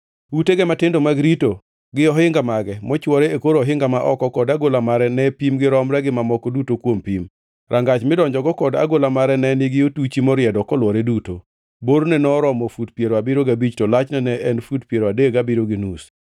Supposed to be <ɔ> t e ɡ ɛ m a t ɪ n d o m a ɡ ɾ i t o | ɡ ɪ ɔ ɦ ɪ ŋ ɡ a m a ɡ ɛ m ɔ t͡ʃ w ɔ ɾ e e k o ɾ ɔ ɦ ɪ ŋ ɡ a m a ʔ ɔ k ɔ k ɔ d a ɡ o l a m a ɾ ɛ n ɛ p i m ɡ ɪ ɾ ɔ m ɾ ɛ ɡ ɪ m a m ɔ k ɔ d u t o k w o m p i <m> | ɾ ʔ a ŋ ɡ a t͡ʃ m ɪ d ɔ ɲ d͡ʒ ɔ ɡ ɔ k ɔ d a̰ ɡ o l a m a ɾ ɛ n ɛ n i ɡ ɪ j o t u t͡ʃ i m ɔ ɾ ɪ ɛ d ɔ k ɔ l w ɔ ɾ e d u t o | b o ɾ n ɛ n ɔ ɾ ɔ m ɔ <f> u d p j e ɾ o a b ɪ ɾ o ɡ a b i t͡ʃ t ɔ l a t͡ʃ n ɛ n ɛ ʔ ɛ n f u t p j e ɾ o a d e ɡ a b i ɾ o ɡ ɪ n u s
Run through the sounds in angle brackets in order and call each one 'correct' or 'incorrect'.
incorrect: u, correct, correct

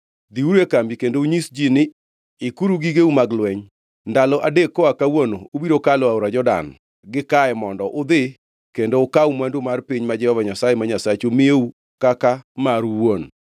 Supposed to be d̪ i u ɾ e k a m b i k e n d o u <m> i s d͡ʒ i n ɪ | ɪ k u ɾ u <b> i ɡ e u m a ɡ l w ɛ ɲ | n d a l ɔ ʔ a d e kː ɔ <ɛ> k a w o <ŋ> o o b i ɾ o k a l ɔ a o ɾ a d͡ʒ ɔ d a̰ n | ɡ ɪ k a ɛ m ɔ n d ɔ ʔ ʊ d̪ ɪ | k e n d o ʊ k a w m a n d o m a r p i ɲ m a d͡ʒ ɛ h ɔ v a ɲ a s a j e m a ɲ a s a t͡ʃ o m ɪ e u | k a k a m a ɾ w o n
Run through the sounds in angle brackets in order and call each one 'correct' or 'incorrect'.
incorrect: ɲ, incorrect: ɡ, incorrect: a, incorrect: n

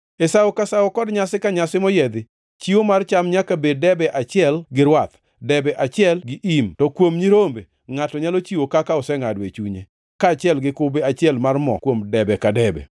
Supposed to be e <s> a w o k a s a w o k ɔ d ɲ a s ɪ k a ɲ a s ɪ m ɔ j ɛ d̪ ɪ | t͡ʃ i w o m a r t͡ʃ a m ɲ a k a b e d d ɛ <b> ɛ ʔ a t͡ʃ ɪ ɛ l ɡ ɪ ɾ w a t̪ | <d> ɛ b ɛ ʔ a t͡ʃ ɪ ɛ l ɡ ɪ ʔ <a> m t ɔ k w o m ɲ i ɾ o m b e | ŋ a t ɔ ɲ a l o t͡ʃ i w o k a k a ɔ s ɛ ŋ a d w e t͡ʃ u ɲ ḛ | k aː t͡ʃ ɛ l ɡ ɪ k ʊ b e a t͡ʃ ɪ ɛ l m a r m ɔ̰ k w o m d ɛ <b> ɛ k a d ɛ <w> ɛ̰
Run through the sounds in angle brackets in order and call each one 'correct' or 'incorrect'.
correct, correct, correct, incorrect: i, correct, incorrect: b

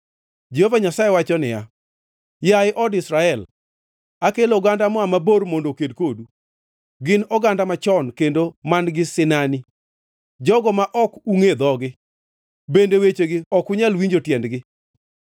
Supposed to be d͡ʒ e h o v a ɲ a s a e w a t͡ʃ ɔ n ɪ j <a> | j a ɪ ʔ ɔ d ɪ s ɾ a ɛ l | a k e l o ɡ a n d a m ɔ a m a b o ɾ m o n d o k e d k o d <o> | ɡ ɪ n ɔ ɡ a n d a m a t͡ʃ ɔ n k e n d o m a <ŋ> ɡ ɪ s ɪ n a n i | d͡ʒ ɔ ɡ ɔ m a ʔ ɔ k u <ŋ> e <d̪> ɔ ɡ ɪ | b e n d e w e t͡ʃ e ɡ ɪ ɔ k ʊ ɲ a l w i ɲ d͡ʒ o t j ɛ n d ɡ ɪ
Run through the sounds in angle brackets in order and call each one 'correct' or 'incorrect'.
correct, incorrect: u, incorrect: n, correct, correct

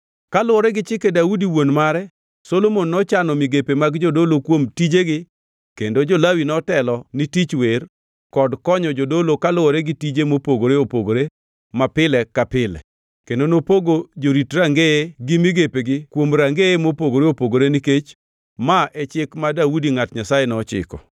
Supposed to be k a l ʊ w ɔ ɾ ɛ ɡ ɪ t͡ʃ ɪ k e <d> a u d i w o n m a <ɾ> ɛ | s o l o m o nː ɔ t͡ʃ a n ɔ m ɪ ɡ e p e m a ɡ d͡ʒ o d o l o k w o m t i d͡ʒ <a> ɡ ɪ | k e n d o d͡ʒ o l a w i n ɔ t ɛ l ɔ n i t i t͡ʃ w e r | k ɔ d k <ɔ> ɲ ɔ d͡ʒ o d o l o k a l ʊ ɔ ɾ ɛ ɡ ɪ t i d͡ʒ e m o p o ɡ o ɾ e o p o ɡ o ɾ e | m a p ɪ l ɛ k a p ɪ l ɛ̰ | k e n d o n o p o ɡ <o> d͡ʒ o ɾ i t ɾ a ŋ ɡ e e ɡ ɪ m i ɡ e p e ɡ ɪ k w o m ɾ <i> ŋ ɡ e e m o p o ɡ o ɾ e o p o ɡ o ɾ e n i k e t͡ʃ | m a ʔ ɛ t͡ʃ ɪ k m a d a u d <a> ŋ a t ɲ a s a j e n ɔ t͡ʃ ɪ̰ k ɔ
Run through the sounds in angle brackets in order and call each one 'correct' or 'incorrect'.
correct, correct, incorrect: e, correct, correct, incorrect: a, incorrect: i

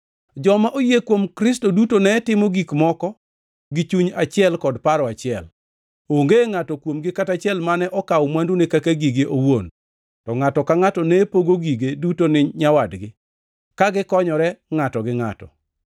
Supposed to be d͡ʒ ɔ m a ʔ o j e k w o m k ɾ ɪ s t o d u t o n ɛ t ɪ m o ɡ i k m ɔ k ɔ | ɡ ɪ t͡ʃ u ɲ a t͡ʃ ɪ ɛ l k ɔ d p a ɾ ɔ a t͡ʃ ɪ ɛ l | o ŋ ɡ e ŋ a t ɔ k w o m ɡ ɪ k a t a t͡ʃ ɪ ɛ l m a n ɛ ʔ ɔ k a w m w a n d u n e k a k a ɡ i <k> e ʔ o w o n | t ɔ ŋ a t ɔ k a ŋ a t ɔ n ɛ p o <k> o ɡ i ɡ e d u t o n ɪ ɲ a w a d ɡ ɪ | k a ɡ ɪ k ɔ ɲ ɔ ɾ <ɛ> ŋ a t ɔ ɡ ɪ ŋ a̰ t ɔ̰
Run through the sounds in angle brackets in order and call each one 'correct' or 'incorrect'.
incorrect: ɡ, incorrect: ɡ, correct

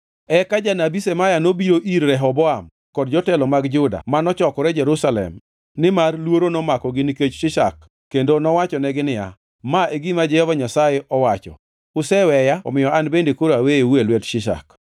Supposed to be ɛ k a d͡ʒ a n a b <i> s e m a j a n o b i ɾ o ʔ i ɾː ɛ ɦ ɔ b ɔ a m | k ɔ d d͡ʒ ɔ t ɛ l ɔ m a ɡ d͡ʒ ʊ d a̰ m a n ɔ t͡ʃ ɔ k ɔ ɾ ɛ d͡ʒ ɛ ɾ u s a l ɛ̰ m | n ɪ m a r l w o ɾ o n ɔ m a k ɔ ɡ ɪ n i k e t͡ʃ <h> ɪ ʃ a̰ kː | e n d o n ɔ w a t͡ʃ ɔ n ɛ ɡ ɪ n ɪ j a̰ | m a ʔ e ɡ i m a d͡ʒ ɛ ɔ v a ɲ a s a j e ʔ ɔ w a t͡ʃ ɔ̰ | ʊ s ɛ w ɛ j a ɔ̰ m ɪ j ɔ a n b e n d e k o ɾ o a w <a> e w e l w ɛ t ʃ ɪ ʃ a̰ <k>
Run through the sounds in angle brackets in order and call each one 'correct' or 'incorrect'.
correct, incorrect: ʃ, incorrect: e, correct

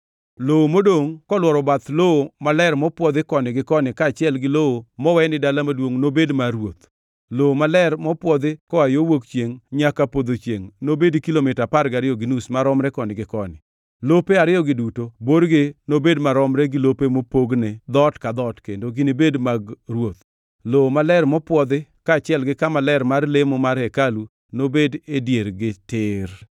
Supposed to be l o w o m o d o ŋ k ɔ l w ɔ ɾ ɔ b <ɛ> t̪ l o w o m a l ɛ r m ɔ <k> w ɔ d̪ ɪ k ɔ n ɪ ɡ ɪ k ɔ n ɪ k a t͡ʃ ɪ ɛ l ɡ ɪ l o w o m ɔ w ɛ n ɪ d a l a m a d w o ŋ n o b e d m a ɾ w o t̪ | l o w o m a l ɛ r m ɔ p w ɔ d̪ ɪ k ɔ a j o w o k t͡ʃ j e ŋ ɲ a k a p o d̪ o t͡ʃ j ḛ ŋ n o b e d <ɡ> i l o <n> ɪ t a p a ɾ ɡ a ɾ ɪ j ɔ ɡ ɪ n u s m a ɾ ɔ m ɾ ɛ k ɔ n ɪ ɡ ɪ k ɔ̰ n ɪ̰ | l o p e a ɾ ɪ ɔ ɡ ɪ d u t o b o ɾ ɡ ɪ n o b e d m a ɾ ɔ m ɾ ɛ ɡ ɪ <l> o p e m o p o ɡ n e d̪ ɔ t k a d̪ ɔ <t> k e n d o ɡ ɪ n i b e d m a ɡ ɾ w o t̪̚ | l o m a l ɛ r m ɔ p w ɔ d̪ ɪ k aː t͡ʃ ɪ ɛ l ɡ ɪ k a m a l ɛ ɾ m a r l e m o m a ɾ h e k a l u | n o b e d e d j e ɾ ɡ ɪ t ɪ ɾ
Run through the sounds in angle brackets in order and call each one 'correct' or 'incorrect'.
incorrect: a, incorrect: p, incorrect: k, incorrect: m, correct, correct

